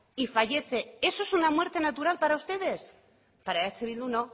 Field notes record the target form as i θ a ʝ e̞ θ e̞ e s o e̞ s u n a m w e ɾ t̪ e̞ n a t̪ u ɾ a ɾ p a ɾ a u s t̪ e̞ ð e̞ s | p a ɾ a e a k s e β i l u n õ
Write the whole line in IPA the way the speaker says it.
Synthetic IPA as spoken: i f a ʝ e̞ θ e̞ e s o e̞ s u n a m w e ɾ t̪ e̞ n a t̪ u ɾ a l p a ɾ a u s t̪ e̞ ð e̞ s | p a ɾ a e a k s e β i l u n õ

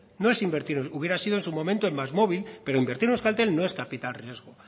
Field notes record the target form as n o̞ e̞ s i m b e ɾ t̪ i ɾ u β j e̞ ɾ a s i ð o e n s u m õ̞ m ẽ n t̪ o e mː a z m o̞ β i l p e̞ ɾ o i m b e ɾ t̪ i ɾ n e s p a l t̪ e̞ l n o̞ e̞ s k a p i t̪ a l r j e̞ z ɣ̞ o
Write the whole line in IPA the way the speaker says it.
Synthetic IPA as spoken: n o̞ e̞ s i m b e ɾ t̪ i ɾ u β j e̞ ɾ a s i ð o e n s u m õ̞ m ẽ n t̪ o e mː a z m o̞ β i l p e̞ ɾ o i m b e ɾ t̪ i ɾ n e s k a l t̪ e̞ l n o̞ e̞ s k a p i t̪ a l r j e̞ z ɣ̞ o

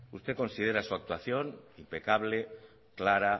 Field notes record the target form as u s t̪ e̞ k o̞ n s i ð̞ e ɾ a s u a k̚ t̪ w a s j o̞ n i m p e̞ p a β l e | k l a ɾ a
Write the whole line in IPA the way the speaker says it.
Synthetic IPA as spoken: u s t̪ e̞ k o̞ n s i ð̞ e ɾ a s u a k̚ t̪ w a θ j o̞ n i m p e̞ k a β l e | k l a ɾ a

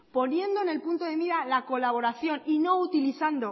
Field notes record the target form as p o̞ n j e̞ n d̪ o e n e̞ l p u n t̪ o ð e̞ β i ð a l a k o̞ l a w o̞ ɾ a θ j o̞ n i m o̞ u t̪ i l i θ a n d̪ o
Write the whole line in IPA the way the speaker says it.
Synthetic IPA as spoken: p o̞ n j e̞ n d̪ o e n e̞ l p u n t̪ o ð e̞ β i ð a l a k o̞ l a β o̞ ɾ a θ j o̞ n i n o̞ u t̪ i l i θ a n d̪ o

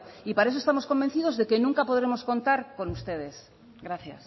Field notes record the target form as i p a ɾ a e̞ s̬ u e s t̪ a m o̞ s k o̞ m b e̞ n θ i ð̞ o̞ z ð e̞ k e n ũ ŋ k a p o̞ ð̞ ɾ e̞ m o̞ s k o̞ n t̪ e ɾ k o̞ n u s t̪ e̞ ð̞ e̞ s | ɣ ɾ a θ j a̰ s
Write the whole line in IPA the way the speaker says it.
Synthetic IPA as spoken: i p a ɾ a e̞ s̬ o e s t̪ a m o̞ s k o̞ m b e̞ n θ i ð̞ o̞ z ð e̞ k e n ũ ŋ k a p o̞ ð̞ ɾ e̞ m o̞ s k o̞ n t̪ a ɾ k o̞ n u s t̪ e̞ ð̞ e̞ s | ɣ ɾ a θ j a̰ s

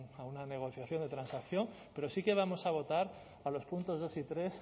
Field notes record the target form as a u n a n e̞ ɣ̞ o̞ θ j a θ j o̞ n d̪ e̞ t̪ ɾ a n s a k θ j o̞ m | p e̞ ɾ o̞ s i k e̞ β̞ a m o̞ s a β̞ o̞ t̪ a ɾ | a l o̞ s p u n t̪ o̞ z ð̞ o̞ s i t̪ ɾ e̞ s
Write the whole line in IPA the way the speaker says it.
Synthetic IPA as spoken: a u n a n e̞ ɣ̞ o̞ θ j a θ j o̞ n d̪ e̞ t̪ ɾ a n s a k θ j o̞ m | p e̞ ɾ o̞ s i k e̞ β̞ a m o̞ s a β̞ o̞ t̪ a ɾ | a l o̞ s p u n t̪ o̞ z ð̞ o̞ s i t̪ ɾ e̞ s

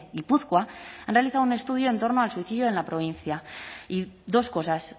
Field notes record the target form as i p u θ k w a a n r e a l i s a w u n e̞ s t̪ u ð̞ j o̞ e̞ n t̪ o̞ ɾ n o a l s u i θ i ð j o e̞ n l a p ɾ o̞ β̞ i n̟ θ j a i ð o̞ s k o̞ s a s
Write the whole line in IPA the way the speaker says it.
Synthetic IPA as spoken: i p u θ k w a a n r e a l i θ a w u n e̞ s t̪ u ð̞ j o̞ e̞ n t̪ o̞ ɾ n o a l s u i θ i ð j o e̞ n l a p ɾ o̞ β̞ i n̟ θ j a i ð o̞ s k o̞ s a s

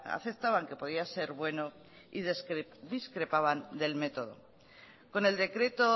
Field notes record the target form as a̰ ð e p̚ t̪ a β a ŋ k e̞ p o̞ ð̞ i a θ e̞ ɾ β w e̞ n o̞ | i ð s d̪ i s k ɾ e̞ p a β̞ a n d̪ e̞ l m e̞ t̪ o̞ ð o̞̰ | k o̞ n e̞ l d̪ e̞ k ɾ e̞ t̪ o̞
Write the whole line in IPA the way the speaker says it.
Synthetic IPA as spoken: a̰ θ e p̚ t̪ a β a ŋ k e̞ p o̞ ð̞ i a s e̞ ɾ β w e̞ n o̞ | i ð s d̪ i s k ɾ e̞ p a β̞ a n d̪ e̞ l m e̞ t̪ o̞ ð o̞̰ | k o̞ n e̞ l d̪ e̞ k ɾ e̞ t̪ o̞

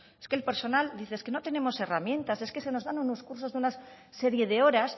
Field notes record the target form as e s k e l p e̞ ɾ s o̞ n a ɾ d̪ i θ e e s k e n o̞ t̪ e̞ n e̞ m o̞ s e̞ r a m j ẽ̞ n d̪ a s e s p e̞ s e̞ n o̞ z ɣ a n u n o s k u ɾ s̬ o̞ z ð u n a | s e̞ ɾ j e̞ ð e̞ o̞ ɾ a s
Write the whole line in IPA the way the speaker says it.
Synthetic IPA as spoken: e s k e l p e̞ ɾ s o̞ n a l d̪ i θ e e s k e n o̞ t̪ e̞ n e̞ m o̞ s e̞ r a m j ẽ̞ n t̪ a s e s k e̞ s e̞ n o̞ z ð a n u n o s k u ɾ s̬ o̞ z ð u n a | s e̞ ɾ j e̞ ð e̞ o̞ ɾ a s

